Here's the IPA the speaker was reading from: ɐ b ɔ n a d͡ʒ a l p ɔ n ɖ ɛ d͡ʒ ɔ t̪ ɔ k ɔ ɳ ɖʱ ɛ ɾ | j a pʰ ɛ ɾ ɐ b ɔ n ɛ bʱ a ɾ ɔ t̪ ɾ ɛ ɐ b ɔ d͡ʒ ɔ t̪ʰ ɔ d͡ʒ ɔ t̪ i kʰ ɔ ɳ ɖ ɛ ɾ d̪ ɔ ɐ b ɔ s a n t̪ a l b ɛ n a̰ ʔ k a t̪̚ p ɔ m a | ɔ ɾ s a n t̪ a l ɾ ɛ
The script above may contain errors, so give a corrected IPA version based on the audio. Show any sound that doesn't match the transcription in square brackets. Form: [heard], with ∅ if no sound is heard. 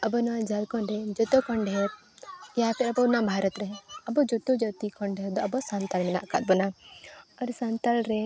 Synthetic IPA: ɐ b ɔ n a d͡ʒ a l [k] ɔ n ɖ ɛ d͡ʒ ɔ t̪ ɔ k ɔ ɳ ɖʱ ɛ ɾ | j a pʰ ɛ ɾ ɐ b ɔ n [a] bʱ a ɾ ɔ t̪ ɾ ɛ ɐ b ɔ d͡ʒ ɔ [t̪] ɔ d͡ʒ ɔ t̪ i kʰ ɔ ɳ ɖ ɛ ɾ d̪ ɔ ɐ b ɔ s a n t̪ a l [m] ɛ n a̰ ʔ k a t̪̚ [b] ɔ [n] a | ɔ ɾ s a n t̪ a l ɾ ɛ